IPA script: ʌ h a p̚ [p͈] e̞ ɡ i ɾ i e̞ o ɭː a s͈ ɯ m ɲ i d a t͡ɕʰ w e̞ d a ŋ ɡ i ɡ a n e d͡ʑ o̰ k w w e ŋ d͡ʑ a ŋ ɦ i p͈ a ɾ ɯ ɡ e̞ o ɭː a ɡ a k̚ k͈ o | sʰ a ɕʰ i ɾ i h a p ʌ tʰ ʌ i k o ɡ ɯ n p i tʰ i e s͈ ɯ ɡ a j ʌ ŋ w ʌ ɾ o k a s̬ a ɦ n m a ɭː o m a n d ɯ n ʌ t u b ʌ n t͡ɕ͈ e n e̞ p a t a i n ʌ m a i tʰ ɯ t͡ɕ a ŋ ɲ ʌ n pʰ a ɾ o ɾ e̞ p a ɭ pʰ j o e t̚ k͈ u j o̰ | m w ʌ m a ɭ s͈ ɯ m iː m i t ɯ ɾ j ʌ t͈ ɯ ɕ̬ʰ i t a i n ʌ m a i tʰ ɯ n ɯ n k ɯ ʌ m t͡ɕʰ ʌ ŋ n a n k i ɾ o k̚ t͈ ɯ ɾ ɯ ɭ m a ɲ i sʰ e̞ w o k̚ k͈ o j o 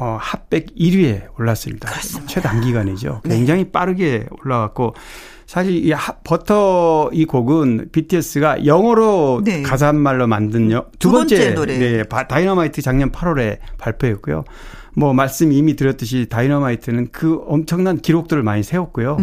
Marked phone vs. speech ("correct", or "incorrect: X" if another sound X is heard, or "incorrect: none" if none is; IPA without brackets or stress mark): correct